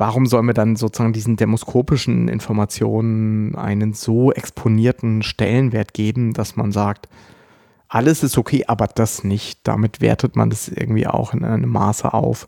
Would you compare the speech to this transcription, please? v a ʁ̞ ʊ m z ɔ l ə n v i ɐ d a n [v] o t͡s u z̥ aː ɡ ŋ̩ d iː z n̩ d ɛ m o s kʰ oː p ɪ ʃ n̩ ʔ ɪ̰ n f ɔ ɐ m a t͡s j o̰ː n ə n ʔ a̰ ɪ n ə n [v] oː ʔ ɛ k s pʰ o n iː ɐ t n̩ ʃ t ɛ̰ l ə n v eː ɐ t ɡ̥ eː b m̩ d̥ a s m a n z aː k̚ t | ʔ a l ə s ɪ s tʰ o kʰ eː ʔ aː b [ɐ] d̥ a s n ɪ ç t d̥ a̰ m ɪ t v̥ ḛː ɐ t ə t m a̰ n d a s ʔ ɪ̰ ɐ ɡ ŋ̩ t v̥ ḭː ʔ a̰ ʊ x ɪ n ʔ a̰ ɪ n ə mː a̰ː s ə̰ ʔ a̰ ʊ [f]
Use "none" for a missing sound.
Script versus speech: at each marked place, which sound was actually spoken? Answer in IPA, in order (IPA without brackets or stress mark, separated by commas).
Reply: z, z, ɐ, f